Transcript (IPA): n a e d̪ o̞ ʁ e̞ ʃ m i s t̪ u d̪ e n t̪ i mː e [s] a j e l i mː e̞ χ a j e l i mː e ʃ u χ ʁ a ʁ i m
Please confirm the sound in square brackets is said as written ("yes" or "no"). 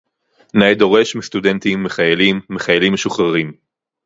no